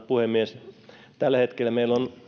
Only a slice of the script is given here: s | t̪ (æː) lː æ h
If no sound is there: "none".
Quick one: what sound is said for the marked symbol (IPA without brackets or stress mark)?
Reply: æ